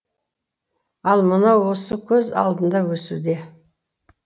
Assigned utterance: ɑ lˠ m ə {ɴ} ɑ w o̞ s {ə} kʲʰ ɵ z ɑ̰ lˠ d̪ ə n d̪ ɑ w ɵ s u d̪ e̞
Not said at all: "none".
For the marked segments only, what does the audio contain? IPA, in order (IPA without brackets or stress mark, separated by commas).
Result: n, ə